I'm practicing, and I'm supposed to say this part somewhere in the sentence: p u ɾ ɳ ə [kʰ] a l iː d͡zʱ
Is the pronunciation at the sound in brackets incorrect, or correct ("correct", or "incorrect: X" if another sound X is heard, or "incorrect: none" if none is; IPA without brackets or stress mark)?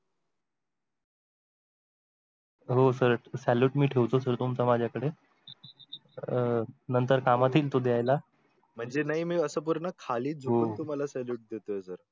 correct